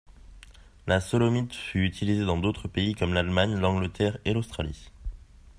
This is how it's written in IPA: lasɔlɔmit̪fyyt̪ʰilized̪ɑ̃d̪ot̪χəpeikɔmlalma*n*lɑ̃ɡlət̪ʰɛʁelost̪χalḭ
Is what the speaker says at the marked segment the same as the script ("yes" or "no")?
no